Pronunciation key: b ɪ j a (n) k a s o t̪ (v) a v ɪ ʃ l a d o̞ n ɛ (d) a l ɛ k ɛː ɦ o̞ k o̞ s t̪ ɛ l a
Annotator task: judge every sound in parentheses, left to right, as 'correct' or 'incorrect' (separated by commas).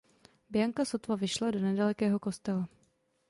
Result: incorrect, correct, correct